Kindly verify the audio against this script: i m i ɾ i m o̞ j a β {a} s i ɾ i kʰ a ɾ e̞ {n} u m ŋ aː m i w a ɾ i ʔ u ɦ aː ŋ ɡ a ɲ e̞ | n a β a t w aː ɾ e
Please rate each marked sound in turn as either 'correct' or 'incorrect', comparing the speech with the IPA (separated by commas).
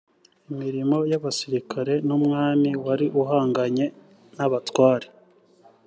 correct, correct